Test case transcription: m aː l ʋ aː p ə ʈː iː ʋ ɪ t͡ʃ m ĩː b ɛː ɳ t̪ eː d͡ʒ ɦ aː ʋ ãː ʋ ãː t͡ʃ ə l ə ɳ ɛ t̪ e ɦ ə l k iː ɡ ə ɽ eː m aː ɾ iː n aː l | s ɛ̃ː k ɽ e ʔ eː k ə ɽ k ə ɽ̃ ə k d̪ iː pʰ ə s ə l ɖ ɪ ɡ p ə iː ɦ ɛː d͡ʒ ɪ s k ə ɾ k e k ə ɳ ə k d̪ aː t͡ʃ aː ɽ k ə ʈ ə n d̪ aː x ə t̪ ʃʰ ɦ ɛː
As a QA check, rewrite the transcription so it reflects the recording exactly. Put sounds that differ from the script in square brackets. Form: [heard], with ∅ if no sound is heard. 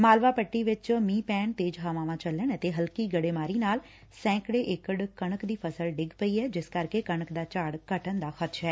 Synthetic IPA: m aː l ʋ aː p ə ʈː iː ʋ ɪ t͡ʃ m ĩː [p] ɛː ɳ t̪ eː d͡ʒ ɦ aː ʋ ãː ʋ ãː t͡ʃ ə l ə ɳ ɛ t̪ e ɦ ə l k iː ɡ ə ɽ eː m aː ɾ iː n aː l | s ɛ̃ː k ɽ e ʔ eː k ə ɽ k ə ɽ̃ ə k d̪ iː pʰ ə s ə l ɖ ɪ ɡ p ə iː ɦ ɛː d͡ʒ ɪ s k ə ɾ k e k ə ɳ ə k d̪ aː t͡ʃ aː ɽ k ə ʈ ə n d̪ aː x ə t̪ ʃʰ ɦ ɛː